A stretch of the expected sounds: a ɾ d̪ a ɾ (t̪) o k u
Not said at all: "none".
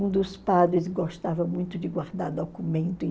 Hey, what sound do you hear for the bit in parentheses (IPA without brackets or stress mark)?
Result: d̪